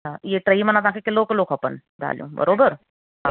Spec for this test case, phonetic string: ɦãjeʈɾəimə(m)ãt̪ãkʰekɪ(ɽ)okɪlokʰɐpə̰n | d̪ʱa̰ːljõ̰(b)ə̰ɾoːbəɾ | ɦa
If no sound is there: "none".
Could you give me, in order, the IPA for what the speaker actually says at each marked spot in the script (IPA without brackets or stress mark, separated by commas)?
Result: n, l, b